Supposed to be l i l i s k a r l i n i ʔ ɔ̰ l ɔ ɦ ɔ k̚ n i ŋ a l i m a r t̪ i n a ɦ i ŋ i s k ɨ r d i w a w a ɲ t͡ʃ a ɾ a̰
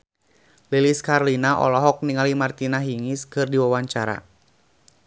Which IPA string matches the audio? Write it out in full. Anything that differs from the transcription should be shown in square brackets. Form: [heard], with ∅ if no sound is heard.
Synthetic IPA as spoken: l i l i s k a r l i n [a] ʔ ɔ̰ l ɔ ɦ ɔ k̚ n i ŋ a l i m a r t̪ i n a ɦ i ŋ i s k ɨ r d i w a w a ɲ t͡ʃ a ɾ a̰